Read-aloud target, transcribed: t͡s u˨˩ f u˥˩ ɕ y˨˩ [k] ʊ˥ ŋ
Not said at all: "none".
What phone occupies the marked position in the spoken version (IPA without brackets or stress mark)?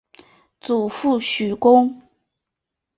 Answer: k